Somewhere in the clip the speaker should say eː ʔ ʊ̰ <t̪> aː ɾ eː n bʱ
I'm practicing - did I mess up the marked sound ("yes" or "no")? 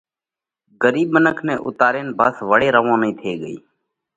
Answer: no